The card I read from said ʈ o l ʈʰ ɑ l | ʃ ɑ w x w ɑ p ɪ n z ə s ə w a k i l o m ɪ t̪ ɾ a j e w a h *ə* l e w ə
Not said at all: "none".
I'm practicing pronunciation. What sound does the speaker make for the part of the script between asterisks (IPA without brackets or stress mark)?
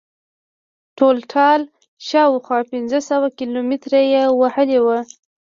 ə